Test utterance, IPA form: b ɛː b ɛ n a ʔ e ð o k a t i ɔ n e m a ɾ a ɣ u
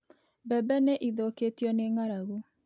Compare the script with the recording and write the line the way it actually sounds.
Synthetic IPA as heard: b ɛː b ɛ n e ʔ i ð o k e t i ɔ n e ŋ a ɾ a ɣ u